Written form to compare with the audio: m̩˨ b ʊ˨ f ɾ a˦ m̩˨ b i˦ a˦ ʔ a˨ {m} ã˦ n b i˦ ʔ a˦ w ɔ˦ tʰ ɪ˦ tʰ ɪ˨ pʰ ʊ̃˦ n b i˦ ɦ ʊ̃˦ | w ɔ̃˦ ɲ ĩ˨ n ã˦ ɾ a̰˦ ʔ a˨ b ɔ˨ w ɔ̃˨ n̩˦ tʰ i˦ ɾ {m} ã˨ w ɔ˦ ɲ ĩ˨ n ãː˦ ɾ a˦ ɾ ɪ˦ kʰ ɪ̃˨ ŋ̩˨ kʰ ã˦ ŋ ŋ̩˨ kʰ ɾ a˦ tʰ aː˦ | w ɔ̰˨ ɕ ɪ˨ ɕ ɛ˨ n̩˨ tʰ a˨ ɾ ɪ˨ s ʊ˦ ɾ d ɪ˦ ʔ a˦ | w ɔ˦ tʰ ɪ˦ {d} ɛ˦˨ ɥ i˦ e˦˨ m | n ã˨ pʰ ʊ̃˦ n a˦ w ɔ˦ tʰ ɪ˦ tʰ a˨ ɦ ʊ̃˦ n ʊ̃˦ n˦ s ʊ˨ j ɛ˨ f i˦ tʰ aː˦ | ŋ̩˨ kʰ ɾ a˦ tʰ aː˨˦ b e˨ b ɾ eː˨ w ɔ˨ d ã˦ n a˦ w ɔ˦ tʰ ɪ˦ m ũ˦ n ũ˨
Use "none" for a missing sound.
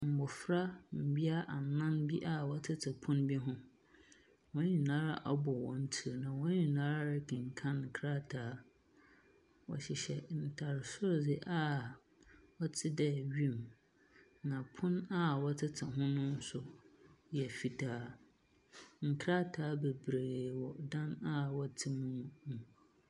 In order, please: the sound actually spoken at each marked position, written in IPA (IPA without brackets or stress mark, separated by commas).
n, n, d